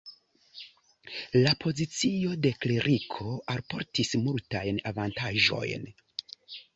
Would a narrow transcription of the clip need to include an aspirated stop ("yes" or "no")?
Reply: yes